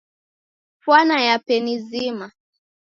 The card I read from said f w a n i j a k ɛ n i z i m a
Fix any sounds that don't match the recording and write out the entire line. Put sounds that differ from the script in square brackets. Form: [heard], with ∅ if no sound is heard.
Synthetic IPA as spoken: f w a n [a] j a [p] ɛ n i z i m a